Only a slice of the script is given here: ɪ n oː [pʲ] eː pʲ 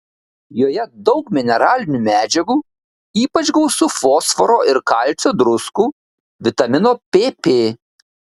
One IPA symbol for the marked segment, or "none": pʲ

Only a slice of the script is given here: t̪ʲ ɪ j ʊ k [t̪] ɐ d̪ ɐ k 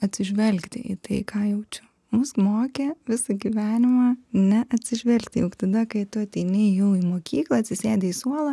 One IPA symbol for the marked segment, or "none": t̪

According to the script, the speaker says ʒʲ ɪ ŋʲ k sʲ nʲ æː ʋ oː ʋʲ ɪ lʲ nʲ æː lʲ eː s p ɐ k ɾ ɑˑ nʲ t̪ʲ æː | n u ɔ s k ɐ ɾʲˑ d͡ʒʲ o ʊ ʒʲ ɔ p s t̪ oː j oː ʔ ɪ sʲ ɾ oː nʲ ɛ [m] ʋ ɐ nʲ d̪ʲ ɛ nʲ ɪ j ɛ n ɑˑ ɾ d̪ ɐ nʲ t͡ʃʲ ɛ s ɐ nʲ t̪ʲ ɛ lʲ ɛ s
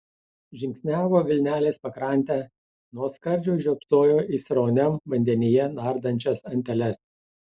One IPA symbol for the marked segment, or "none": m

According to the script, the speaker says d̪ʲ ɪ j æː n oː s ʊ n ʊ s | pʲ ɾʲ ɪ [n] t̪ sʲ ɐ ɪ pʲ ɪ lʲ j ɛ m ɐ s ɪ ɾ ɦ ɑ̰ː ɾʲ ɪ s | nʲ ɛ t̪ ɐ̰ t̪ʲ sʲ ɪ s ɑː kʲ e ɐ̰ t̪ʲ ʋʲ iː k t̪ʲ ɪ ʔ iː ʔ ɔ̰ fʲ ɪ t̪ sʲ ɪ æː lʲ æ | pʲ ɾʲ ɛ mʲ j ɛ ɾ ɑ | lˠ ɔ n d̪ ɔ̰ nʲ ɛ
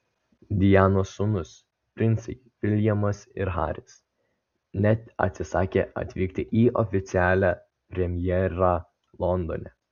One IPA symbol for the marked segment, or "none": n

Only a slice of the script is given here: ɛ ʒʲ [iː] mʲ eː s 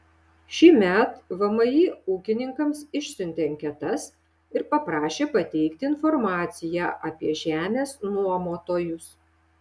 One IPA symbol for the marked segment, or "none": æː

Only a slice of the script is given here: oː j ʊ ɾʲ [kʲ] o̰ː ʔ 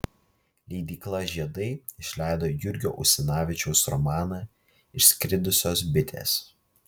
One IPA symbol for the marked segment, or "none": ɡʲ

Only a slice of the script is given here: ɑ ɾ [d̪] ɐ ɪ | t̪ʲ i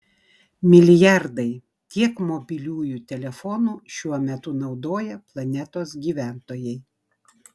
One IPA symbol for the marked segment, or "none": d̪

